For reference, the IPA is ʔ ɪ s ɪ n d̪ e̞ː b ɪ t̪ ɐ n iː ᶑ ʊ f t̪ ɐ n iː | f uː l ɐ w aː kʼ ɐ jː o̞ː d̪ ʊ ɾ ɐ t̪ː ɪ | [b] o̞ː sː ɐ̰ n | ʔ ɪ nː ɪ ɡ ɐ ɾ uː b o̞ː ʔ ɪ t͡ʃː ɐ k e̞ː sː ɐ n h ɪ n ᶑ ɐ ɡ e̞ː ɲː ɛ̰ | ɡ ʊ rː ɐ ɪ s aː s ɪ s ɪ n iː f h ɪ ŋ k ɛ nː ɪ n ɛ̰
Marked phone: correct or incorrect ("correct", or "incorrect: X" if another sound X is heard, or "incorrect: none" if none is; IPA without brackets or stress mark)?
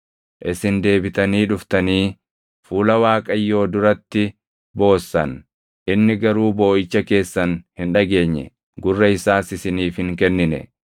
correct